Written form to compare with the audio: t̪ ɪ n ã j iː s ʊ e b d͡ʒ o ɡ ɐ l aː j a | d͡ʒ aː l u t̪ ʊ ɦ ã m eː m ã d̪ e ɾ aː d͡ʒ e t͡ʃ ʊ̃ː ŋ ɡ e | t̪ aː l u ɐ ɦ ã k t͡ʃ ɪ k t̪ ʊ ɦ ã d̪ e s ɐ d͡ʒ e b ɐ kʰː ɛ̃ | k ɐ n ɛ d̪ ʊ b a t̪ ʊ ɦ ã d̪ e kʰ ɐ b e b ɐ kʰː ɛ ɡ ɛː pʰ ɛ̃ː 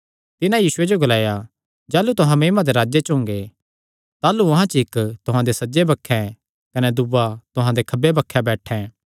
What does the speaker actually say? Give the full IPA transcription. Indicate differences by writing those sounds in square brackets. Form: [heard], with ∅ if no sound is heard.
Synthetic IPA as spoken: t̪ ɪ n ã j iː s ʊ e [∅] d͡ʒ o ɡ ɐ l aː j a | d͡ʒ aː l u t̪ ʊ ɦ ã m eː m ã d̪ e ɾ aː d͡ʒ e t͡ʃ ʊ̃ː ŋ ɡ e | t̪ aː l u ɐ ɦ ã [∅] t͡ʃ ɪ k t̪ ʊ ɦ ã d̪ e s ɐ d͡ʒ e b ɐ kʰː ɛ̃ | k ɐ n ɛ d̪ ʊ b a t̪ ʊ ɦ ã d̪ e kʰ ɐ b e b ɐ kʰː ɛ [b] ɛː [ʈʰ] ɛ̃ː